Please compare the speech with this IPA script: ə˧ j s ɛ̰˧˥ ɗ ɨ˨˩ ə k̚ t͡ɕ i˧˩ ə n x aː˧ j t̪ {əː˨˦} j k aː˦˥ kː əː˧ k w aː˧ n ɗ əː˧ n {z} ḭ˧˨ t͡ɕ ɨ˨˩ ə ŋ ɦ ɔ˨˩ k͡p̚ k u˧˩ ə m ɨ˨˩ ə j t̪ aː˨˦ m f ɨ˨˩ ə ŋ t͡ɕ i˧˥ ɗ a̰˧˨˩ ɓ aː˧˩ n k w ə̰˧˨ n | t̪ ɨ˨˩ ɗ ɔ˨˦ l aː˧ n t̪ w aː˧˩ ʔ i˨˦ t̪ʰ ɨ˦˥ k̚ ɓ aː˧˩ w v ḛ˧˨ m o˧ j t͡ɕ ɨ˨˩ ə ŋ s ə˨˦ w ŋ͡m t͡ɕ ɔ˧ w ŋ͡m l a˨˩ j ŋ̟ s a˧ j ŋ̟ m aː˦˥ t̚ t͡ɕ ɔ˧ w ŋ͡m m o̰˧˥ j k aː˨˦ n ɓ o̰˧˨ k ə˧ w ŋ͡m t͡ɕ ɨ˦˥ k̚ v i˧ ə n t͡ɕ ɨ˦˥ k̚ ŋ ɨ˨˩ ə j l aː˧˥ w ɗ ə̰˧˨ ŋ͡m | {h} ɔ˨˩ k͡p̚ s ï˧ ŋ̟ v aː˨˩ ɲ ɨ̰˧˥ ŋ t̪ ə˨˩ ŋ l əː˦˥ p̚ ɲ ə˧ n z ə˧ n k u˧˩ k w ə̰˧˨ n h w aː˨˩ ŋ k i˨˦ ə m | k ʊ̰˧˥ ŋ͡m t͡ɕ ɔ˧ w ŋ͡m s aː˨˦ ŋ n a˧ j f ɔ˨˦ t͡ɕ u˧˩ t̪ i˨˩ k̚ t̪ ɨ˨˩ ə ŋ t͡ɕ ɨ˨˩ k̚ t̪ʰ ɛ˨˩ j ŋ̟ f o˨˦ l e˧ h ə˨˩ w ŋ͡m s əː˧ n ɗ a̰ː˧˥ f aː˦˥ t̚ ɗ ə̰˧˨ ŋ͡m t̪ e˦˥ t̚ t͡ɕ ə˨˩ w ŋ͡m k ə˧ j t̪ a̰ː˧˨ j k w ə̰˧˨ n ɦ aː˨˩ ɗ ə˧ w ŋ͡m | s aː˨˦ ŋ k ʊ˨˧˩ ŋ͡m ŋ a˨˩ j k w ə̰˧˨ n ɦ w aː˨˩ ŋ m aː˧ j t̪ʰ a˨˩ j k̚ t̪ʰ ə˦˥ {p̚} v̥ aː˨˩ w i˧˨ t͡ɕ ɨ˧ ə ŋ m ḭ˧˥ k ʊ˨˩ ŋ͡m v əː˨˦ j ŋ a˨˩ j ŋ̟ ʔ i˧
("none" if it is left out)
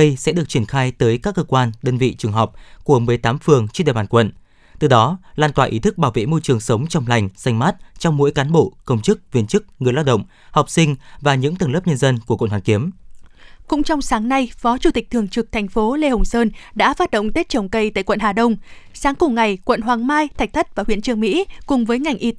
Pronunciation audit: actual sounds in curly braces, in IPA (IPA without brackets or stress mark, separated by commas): əː˨˦, v, h, t̚